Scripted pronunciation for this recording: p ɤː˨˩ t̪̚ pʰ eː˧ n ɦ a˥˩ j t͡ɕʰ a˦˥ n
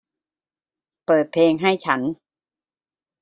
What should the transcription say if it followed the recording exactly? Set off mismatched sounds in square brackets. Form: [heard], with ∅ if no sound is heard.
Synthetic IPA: p ɤː˨˩ t̪̚ pʰ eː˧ [ŋ] ɦ a˥˩ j t͡ɕʰ a˦˥ n

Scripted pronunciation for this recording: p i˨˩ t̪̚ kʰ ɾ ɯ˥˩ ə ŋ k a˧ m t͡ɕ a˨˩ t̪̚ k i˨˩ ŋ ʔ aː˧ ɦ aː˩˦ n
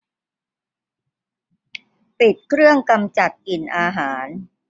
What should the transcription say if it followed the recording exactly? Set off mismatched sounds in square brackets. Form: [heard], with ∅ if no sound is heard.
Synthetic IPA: p i˨˩ t̪̚ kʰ ɾ ɯ˥˩ ə ŋ k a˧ m t͡ɕ a˨˩ t̪̚ k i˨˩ [n] ʔ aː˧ ɦ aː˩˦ n

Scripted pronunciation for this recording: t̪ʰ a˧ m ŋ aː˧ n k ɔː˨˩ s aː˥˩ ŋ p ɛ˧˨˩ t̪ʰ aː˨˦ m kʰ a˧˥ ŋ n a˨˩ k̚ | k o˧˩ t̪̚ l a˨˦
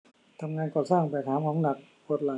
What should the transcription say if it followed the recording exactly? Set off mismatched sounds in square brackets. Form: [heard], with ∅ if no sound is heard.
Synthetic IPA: t̪ʰ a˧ m ŋ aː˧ n k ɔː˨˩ s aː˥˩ ŋ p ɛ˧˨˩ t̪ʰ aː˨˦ m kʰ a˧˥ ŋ n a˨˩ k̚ | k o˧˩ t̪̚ l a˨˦

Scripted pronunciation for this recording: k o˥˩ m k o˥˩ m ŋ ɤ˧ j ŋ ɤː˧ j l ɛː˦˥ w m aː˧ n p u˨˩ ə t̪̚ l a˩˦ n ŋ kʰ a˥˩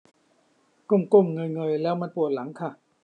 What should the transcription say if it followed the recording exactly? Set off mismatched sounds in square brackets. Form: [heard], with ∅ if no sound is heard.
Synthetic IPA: k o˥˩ m k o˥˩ m ŋ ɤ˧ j ŋ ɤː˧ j l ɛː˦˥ w m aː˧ n p u˨˩ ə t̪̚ l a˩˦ [∅] ŋ kʰ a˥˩

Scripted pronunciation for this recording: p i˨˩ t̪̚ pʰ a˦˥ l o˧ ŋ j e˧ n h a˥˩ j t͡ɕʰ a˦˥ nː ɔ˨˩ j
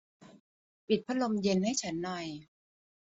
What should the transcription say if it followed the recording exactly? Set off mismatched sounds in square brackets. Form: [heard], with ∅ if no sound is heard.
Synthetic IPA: p i˨˩ t̪̚ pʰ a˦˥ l o˧ [m] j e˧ n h a˥˩ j t͡ɕʰ a˦˥ nː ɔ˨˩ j

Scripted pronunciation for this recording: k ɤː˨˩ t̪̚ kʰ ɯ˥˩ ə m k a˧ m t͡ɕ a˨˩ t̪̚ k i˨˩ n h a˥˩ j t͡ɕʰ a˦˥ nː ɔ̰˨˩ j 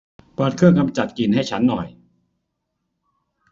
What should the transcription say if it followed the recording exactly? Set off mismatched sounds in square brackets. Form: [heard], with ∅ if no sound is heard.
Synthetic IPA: [p] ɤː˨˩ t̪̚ kʰ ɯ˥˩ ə [ŋ] k a˧ m t͡ɕ a˨˩ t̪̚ k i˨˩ n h a˥˩ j t͡ɕʰ a˦˥ nː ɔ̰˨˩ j

